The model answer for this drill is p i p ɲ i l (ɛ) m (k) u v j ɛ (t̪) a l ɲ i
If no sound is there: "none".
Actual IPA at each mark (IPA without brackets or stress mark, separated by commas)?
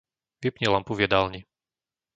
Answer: a, p, d̪